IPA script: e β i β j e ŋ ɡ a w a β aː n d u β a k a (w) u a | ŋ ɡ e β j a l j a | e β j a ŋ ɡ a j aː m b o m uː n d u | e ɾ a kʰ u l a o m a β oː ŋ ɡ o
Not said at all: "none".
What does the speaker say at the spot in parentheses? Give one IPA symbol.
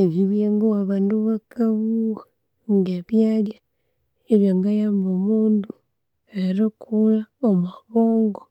β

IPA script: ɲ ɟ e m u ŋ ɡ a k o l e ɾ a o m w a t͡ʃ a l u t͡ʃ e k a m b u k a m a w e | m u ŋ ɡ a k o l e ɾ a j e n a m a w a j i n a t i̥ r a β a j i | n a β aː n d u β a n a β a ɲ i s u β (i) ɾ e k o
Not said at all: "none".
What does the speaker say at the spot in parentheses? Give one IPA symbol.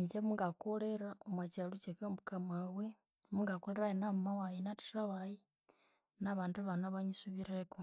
i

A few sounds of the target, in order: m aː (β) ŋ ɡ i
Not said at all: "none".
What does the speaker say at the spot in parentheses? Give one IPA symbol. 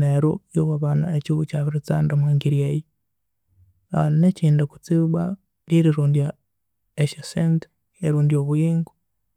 none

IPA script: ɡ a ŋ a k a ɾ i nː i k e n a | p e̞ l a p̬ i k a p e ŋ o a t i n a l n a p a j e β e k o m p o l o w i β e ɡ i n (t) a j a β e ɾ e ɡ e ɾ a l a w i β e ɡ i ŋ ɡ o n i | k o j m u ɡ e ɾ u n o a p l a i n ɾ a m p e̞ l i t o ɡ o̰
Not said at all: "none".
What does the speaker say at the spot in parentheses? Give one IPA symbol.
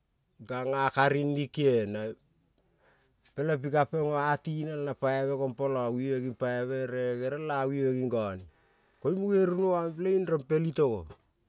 p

